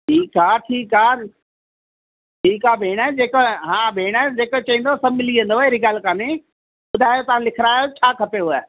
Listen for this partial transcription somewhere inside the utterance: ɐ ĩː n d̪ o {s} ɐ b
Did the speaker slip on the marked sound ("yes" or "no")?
no